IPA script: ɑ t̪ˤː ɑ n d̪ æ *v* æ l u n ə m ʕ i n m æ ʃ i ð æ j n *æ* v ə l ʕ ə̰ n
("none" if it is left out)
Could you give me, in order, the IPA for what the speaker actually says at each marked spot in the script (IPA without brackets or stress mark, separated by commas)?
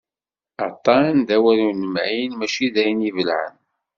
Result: w, i